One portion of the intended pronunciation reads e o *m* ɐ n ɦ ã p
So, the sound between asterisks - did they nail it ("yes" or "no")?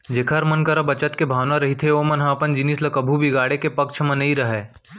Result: yes